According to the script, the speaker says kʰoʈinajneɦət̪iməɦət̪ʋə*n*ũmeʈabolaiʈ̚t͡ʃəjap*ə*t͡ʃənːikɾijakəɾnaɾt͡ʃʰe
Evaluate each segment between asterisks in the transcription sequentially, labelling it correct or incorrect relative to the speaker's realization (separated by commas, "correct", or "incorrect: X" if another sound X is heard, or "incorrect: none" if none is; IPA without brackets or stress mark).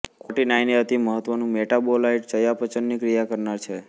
correct, correct